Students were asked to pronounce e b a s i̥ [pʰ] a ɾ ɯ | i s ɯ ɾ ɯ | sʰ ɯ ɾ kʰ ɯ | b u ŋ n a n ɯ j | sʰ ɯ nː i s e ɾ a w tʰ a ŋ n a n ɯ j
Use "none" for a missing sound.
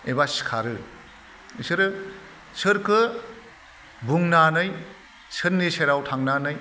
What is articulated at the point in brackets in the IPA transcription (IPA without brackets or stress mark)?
kʰ